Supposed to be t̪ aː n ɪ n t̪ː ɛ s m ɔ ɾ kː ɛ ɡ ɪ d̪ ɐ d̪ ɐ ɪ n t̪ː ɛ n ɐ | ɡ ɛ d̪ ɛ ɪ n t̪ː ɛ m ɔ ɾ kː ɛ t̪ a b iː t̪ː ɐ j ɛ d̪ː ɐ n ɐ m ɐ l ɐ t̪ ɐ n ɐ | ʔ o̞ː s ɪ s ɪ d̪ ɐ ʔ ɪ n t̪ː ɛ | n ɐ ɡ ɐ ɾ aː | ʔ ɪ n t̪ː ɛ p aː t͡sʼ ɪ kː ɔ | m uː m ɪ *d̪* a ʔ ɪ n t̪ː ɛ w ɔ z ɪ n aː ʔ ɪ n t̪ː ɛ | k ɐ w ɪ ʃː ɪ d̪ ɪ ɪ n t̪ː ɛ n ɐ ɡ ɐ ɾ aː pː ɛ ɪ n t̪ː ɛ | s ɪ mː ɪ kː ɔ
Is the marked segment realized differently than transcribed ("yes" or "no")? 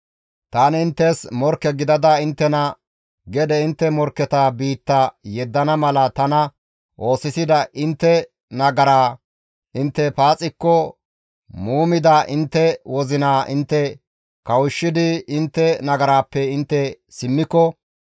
no